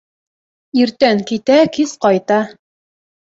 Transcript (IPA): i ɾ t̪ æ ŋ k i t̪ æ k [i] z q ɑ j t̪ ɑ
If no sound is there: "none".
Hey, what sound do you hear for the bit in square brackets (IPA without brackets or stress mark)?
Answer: i